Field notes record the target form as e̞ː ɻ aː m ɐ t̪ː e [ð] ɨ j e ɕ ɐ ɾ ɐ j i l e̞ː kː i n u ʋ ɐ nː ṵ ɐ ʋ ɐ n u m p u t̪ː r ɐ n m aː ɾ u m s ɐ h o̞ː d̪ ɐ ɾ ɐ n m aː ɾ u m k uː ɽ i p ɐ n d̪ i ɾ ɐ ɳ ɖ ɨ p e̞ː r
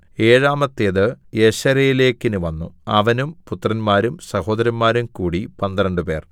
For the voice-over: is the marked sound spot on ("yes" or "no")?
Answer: yes